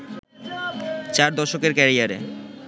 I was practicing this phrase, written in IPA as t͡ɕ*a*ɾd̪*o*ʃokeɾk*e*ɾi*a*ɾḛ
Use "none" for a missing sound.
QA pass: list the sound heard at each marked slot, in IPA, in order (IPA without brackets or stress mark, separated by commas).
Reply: a, ɔ, ɛ, a